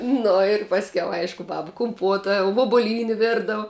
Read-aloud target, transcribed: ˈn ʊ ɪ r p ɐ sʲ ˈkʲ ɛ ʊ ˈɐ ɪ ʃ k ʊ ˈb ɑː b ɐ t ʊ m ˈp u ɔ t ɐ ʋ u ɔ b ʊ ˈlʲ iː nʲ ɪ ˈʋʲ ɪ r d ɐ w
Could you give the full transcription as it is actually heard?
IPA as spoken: ˈn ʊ ɪ r p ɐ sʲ ˈkʲ ɛ ʊ ˈɐ ɪ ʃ k ʊ ˈb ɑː b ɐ k ʊ m ˈp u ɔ t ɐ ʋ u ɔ b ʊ ˈlʲ iː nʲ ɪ ˈʋʲ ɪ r d ɐ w